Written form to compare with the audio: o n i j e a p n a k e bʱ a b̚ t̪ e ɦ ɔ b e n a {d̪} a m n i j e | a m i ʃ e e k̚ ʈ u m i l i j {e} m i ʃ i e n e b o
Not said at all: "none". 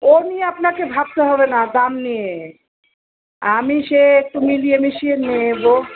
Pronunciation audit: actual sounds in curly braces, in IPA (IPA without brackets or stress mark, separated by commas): d̪, e